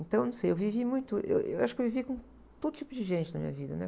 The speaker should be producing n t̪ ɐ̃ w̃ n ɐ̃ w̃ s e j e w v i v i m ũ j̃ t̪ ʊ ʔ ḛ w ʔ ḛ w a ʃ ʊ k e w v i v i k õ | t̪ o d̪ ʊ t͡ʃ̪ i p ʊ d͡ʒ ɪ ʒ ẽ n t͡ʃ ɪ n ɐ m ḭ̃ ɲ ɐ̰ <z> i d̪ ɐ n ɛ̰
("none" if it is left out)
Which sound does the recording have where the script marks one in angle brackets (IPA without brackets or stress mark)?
v